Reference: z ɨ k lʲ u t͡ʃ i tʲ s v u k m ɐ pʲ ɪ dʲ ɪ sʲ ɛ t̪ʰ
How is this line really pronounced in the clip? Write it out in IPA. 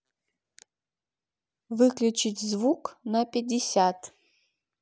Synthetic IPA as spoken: v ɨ k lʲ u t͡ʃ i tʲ z v u k n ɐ pʲ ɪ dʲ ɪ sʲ a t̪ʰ